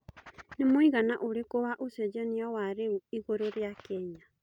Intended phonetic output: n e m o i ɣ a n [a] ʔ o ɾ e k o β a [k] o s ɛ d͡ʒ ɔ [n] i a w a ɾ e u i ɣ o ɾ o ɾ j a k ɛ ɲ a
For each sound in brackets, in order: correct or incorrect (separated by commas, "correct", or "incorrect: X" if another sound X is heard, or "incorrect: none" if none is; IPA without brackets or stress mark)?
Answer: correct, incorrect: ʔ, correct